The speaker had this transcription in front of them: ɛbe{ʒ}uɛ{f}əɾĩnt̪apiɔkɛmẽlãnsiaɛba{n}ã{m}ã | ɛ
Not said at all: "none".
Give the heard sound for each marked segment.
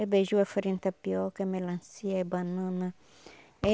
ʒ, f, n, n

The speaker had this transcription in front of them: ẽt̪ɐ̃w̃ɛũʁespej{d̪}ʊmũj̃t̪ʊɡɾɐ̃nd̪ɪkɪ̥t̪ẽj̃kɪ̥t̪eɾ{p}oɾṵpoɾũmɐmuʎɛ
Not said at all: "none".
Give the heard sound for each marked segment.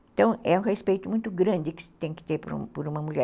t̪, p

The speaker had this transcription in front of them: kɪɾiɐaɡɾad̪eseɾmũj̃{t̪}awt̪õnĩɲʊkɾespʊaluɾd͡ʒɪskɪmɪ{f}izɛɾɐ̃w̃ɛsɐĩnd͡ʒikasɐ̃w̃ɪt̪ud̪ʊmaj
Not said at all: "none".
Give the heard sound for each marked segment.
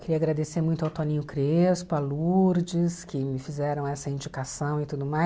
t̪, f

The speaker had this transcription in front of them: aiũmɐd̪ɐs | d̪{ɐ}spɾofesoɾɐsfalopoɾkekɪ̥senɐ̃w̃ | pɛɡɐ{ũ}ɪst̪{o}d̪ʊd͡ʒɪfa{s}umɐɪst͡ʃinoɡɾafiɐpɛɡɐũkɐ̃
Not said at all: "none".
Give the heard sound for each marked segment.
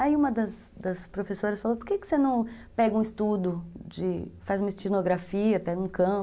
ɐ, ũ, u, z

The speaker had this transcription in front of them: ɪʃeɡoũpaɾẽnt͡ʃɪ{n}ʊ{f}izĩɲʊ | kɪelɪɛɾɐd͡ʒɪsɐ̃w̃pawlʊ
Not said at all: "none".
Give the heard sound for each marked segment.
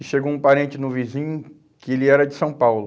n, v

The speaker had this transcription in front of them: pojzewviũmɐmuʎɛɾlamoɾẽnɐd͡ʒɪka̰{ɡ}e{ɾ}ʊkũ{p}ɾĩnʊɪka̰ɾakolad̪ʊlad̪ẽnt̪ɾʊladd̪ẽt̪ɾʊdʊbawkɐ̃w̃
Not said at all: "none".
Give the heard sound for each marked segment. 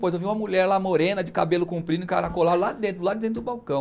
b, l, p

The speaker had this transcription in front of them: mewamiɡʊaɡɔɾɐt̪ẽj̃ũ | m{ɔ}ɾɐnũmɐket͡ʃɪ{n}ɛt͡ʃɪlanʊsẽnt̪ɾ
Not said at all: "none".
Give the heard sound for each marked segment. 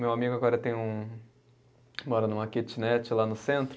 ɔ, n

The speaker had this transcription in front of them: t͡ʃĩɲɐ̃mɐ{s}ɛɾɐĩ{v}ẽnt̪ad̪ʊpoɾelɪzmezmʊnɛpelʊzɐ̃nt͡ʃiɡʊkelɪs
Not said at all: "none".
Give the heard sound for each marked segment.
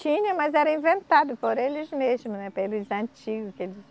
z, v

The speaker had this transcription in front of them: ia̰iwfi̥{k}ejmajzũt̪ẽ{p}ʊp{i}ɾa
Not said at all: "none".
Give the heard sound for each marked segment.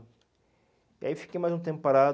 k, p, a

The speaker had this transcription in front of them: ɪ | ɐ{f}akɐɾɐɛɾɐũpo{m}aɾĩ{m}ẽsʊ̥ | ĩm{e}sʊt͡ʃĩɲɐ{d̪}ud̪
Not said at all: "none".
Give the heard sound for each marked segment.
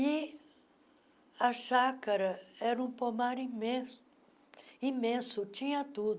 ʃ, m, m, ẽ, t̪

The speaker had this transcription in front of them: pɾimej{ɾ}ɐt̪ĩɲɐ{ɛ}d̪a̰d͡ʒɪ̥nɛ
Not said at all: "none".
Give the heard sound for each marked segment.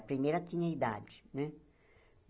ɾ, i

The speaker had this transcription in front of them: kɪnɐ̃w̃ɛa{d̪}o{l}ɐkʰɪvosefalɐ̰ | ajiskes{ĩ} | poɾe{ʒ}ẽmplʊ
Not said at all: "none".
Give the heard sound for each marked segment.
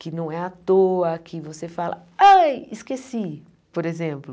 t̪, none, i, z

